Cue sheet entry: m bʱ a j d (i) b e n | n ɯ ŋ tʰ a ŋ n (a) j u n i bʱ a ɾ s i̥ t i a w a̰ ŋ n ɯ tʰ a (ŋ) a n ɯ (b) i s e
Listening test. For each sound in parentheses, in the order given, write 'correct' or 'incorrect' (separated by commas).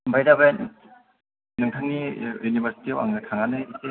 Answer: incorrect, incorrect, correct, incorrect